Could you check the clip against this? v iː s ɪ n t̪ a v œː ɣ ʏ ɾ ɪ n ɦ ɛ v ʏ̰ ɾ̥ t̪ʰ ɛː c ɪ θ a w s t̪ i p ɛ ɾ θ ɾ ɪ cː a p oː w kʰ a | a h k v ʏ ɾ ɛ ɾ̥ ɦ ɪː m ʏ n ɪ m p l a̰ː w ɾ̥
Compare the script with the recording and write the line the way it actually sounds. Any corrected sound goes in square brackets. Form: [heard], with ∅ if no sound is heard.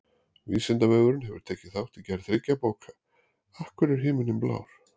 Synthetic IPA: v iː s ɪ n t̪ a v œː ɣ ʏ ɾ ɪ n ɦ ɛ v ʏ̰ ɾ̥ t̪ʰ ɛː c ɪ θ a w [h] t̪ i [c] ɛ ɾ θ ɾ ɪ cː a p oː w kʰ a | a h k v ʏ ɾ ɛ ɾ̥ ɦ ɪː m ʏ n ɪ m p l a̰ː w ɾ̥